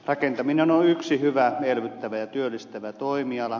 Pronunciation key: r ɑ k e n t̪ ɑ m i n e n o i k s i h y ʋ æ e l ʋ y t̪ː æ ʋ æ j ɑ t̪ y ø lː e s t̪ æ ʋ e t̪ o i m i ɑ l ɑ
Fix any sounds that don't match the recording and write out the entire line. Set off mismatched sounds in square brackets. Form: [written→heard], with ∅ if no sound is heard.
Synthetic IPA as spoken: r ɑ k e n t̪ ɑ m i n e n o [i→y] k s i h y ʋ æ e l ʋ y t̪ː æ ʋ æ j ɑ t̪ y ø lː [e→i] s t̪ æ ʋ [e→æ] t̪ o i m i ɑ l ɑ